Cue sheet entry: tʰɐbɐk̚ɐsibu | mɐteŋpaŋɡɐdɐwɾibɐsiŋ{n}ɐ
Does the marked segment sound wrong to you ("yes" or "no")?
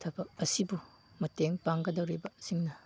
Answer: no